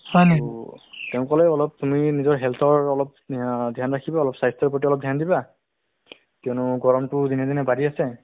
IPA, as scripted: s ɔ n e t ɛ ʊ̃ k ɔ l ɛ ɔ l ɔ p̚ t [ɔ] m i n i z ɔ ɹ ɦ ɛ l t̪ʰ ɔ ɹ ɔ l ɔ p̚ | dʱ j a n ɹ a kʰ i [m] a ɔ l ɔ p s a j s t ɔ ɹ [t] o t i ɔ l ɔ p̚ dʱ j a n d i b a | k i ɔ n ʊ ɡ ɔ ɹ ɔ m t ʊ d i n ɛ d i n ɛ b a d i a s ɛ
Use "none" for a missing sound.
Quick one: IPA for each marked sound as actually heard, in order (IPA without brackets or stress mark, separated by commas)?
u, b, p